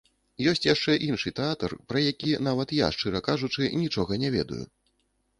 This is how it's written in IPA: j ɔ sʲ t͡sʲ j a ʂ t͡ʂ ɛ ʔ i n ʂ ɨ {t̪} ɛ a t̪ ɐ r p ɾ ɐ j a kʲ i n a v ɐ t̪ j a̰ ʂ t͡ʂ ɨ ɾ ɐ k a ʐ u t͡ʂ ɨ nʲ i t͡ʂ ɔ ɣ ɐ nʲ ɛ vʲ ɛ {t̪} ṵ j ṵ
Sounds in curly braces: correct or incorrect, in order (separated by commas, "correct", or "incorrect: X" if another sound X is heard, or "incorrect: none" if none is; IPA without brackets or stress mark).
correct, incorrect: d̪